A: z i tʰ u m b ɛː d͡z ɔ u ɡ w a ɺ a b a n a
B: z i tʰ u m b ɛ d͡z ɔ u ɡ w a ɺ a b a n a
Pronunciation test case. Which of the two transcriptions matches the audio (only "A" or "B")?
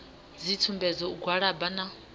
B